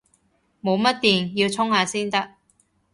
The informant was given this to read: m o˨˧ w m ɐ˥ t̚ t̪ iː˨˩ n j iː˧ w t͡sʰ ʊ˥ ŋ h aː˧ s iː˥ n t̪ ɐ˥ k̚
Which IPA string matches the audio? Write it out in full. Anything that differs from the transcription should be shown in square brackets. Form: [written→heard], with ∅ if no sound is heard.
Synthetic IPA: m o˨˧ w m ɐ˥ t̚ t̪ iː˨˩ n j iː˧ w t͡sʰ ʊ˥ ŋ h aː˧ s iː˥ n t̪ ɐ˥ k̚